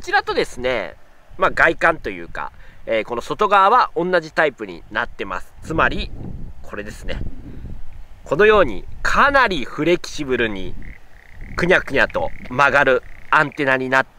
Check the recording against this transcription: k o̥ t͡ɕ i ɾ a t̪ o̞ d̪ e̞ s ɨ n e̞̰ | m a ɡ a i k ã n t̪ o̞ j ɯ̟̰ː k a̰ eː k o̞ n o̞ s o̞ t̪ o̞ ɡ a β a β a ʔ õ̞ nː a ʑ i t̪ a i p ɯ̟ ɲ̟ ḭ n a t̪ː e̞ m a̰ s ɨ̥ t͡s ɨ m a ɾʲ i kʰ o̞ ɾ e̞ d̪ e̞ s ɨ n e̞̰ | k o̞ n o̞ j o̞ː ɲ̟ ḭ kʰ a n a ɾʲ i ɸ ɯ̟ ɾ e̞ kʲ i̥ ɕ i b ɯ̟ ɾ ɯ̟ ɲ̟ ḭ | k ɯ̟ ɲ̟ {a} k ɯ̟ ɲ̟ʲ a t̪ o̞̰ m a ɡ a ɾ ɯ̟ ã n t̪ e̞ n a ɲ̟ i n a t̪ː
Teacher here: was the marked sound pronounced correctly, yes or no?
yes